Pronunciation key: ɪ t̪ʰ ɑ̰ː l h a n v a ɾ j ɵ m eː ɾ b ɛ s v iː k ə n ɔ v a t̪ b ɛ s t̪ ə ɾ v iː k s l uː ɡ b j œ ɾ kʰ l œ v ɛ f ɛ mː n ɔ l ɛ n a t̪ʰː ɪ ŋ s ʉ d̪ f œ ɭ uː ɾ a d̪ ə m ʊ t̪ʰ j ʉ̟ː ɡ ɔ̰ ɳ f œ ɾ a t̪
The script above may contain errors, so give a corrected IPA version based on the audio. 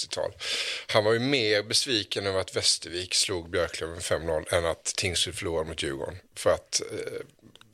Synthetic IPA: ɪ t̪ʰ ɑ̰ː l h a n v a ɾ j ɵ m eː ɾ b ɛ s v iː k ə n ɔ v a t̪ v ɛ s t̪ ə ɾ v iː k s l uː ɡ b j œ ɾ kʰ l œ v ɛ f ɛ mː n ɔ l ɛ n a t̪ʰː ɪ ŋ s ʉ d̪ f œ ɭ uː ɾ a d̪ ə m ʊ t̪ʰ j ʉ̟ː ɡ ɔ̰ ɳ f œ ɾ a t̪